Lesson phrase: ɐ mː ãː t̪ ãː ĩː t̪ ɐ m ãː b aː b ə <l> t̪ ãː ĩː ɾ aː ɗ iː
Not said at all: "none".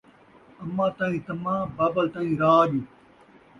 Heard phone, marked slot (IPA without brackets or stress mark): l